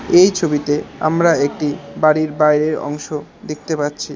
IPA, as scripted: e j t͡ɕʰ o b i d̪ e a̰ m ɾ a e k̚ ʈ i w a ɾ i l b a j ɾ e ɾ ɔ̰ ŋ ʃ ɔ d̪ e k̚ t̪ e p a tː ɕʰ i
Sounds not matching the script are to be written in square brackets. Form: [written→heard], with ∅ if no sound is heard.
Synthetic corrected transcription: e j t͡ɕʰ o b i [d̪→t̪] e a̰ m ɾ a e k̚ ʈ i [w→b] a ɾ i [l→ɾ] b a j ɾ e ɾ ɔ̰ ŋ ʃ [ɔ→o] d̪ e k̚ t̪ e p a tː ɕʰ i